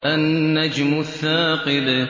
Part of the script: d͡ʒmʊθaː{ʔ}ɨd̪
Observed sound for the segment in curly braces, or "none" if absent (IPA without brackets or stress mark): q